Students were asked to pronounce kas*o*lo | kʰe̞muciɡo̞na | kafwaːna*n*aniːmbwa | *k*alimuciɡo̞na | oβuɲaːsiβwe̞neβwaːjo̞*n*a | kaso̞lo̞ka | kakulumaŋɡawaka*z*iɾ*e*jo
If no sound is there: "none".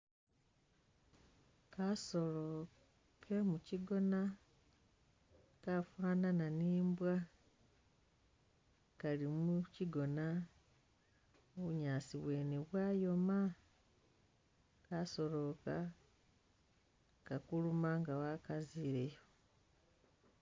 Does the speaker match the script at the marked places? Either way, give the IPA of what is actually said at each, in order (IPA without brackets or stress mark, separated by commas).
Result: o, n, k, m, z, e